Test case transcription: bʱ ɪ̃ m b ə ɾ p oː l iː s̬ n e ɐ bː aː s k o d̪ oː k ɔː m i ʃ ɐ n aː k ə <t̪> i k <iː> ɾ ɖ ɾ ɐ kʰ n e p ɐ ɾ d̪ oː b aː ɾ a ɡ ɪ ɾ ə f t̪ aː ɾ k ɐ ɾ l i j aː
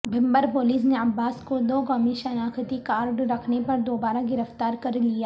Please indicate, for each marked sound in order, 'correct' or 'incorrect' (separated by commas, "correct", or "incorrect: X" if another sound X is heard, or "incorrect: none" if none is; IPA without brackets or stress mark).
correct, incorrect: aː